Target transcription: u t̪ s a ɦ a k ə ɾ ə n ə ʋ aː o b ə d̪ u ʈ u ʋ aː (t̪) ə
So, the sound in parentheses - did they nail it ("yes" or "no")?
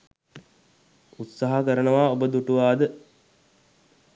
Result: no